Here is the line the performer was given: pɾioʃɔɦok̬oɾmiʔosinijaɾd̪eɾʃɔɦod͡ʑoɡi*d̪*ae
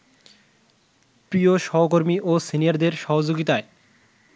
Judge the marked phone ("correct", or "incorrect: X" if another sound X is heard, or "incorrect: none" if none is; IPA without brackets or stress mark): incorrect: t̪